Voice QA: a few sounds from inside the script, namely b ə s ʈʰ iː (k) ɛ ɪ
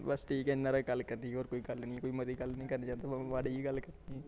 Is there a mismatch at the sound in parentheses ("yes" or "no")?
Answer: no